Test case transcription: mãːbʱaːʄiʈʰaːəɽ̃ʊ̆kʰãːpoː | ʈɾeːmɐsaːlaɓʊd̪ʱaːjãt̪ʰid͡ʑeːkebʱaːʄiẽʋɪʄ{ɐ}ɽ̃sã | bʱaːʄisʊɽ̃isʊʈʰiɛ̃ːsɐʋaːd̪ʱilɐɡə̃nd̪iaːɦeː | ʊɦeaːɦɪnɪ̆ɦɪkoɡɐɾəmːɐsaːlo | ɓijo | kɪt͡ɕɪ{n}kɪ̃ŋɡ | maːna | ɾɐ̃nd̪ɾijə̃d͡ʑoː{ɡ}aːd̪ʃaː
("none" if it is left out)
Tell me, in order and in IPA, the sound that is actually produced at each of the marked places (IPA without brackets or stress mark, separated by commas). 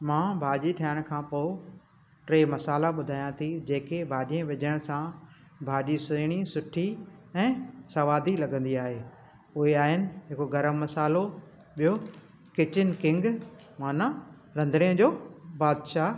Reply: ə, n, b